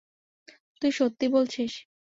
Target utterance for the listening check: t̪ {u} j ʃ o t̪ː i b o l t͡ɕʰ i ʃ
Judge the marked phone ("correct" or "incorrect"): correct